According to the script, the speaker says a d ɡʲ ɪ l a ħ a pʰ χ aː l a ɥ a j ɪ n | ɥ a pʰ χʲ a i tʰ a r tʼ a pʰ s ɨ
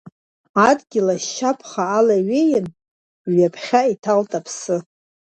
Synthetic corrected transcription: a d ɡʲ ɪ l a ʃ a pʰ χ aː l a ɥ e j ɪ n | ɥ a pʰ χʲ a i tʰ a l tʼ a pʰ s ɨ

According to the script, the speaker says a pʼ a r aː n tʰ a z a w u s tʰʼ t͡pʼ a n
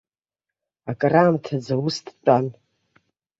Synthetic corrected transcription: a kʼ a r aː m tʰ a d͡z a w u s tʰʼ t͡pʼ a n

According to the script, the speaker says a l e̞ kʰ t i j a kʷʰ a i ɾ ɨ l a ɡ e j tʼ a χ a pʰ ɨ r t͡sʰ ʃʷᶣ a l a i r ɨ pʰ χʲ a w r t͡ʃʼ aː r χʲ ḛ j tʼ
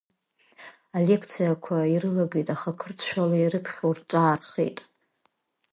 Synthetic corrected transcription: a l e̞ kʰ t͡sʰ i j a kʷʰ a i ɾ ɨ l a ɡ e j tʼ a χ a kʰ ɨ r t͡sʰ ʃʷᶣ a l a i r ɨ pʰ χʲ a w r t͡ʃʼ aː r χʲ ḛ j tʼ

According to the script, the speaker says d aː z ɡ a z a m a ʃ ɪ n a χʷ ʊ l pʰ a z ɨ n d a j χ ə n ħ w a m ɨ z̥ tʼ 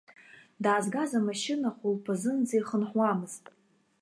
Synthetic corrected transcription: d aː z ɡ a z a m a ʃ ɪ n a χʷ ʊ l pʰ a z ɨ n d͡z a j χ ə n ħ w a m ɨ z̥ tʼ

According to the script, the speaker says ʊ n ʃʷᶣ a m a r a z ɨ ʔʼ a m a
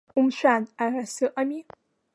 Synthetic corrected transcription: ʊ m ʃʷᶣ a n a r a s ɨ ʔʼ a m i

